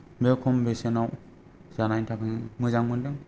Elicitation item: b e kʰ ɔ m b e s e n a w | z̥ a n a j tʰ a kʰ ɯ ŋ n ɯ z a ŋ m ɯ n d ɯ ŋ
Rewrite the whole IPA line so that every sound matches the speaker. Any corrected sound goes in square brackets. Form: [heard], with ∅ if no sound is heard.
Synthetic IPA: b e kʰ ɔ m b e s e n a w | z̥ a n a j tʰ a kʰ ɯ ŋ [m] ɯ z a ŋ m ɯ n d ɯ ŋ